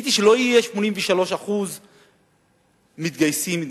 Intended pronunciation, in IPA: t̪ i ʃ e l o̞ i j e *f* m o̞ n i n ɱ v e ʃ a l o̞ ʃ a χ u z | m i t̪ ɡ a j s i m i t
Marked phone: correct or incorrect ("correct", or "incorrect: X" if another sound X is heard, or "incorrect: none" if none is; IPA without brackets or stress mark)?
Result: incorrect: ʃ